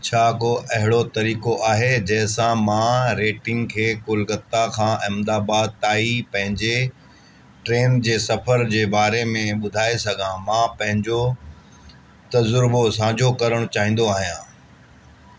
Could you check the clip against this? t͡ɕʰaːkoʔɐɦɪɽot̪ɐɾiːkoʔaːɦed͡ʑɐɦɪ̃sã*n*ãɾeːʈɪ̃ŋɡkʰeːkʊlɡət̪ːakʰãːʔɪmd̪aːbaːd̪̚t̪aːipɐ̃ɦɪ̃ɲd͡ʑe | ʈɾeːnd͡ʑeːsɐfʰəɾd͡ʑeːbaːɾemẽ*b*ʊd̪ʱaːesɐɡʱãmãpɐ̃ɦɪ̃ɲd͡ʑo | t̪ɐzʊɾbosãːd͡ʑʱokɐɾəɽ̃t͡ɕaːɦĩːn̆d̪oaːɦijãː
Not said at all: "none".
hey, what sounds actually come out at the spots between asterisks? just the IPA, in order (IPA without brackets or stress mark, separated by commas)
m, ɓ